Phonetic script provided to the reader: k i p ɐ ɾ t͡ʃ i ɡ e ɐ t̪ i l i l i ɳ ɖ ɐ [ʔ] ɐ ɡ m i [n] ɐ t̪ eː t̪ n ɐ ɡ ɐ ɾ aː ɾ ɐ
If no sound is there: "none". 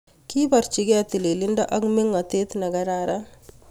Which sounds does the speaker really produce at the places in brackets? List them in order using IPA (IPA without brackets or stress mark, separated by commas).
ʔ, ŋ